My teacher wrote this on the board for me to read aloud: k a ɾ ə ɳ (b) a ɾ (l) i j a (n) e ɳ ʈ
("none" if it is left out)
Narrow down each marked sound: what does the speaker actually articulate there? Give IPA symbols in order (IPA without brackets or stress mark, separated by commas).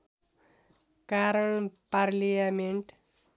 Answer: p, l, m